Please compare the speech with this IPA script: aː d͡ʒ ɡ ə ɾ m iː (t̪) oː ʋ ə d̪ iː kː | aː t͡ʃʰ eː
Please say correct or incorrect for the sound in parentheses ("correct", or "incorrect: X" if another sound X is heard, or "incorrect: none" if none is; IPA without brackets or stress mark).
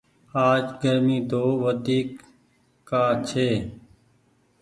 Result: incorrect: d̪